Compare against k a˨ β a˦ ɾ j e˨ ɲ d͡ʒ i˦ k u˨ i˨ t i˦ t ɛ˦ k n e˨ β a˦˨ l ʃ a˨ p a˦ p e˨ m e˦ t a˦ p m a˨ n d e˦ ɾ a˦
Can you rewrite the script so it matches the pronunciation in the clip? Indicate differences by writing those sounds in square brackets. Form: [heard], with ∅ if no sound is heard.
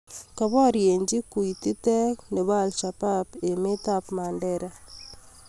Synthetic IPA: k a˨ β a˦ ɾ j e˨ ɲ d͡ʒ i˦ k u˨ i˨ t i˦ t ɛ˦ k n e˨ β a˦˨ l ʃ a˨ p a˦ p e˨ m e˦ t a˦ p m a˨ n d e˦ ɾ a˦